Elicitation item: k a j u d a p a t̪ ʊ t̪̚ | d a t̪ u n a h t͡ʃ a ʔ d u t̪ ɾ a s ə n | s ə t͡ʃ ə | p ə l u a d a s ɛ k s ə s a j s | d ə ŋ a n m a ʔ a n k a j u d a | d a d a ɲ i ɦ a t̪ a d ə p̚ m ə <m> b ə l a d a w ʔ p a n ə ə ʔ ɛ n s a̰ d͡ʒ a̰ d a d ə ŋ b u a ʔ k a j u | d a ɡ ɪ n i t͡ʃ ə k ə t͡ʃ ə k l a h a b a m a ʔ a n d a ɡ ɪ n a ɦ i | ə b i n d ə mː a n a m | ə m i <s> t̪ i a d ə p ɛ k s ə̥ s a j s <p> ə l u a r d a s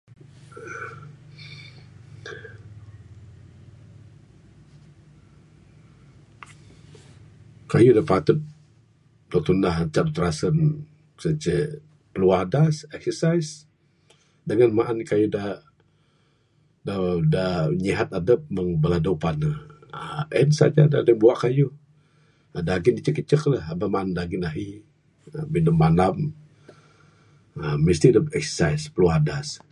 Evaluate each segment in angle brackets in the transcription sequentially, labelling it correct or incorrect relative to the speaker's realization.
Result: incorrect: ŋ, correct, correct

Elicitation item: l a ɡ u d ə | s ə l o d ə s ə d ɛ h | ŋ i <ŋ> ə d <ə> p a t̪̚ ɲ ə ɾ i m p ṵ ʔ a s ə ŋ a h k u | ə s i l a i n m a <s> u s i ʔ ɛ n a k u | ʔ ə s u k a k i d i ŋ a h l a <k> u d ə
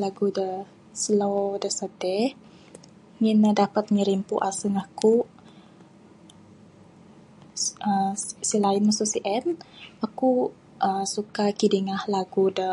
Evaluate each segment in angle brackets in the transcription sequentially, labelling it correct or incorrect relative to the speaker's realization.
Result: incorrect: n, incorrect: a, correct, incorrect: ɡ

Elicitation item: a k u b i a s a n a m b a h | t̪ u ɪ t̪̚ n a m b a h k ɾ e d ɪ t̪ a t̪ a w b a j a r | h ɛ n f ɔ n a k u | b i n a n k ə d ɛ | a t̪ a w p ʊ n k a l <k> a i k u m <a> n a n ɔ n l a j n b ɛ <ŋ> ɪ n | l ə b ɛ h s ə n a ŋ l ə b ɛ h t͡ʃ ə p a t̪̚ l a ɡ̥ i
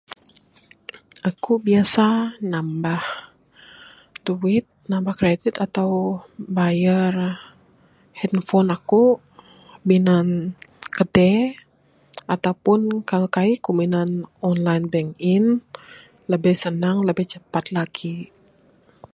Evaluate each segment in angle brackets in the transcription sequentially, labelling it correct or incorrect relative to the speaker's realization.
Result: correct, incorrect: i, correct

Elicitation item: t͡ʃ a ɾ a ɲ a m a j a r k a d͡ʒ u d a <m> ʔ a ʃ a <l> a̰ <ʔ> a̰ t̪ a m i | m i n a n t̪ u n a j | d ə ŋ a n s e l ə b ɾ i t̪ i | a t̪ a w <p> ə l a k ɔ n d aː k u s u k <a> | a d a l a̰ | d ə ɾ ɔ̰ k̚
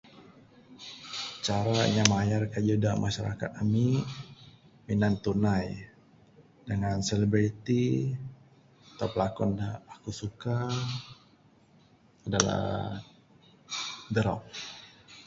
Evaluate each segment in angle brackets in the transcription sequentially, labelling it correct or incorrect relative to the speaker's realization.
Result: correct, incorrect: ɾ, incorrect: k, correct, correct

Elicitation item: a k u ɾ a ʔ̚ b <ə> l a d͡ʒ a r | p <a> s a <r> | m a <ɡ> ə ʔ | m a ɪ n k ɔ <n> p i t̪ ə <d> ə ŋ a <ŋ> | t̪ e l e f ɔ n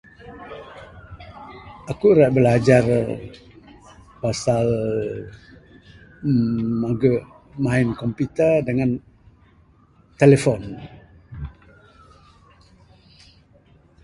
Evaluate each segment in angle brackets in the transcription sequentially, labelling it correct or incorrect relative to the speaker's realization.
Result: correct, correct, incorrect: l, correct, incorrect: m, correct, incorrect: n

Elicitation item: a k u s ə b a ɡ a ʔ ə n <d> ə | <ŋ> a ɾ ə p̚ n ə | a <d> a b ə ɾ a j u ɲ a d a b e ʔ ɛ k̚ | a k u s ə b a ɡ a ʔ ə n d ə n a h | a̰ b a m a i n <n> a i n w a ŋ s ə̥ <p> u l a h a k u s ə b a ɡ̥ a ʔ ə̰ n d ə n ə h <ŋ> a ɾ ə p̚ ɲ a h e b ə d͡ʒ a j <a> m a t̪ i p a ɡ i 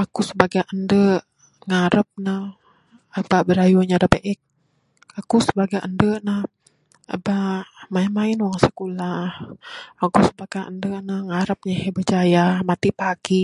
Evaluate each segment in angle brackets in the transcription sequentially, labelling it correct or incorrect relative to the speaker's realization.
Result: correct, correct, incorrect: b, incorrect: m, incorrect: k, correct, correct

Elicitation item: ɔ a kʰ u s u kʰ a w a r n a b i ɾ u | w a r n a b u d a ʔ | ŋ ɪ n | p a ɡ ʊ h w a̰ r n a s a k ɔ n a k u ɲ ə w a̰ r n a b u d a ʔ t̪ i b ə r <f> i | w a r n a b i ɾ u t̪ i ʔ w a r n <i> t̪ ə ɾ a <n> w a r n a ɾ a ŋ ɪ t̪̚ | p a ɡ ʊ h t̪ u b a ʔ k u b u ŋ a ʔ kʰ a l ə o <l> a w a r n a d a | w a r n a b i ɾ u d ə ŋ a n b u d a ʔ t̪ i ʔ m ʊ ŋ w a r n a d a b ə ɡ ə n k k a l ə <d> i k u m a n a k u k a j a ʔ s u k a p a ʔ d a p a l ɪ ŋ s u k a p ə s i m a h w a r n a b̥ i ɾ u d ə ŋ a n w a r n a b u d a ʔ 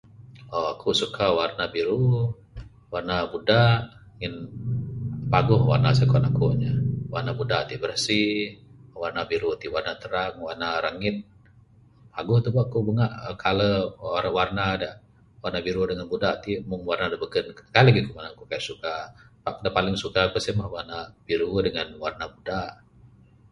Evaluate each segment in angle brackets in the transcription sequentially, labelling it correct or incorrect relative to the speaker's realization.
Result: incorrect: s, incorrect: a, incorrect: ŋ, incorrect: ɾ, incorrect: ɡ

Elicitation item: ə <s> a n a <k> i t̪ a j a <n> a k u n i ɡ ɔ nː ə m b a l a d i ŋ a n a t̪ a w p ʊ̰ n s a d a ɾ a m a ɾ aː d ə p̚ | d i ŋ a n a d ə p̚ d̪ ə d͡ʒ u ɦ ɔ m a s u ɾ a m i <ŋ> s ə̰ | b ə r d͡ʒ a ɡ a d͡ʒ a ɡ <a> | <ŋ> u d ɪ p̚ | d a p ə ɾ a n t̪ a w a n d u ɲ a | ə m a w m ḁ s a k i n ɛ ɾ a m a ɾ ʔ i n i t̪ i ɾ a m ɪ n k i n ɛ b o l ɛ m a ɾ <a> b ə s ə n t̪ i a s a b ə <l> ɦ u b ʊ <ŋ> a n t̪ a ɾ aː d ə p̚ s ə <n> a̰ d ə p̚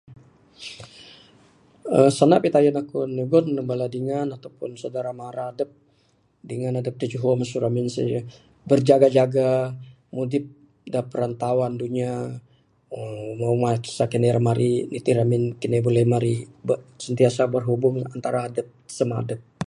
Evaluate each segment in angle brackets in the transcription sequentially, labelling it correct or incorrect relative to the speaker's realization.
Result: correct, incorrect: p, correct, incorrect: n, correct, incorrect: m, incorrect: i, incorrect: r, correct, incorrect: m

